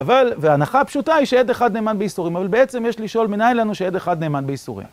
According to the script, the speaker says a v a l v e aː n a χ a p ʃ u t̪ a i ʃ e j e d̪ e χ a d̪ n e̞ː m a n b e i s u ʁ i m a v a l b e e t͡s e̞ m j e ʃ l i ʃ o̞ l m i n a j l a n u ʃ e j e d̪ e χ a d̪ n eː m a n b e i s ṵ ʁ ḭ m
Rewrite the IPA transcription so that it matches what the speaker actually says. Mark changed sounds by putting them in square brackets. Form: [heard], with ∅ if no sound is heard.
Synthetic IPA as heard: a v a l v e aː n a χ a p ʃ u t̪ a i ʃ e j e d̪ e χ a d̪ n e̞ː m a n b e i s u ʁ i m a v a l b e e t͡s e̞ m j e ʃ l i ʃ o̞ l m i n a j l a n u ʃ e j e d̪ e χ a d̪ n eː m a n b e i s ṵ ʁ ḭ m